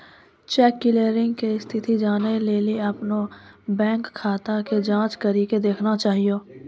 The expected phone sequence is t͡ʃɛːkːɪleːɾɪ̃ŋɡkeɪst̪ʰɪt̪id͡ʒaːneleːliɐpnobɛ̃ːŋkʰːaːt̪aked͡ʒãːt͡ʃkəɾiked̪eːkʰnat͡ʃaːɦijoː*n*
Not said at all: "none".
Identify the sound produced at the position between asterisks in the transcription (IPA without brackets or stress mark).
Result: none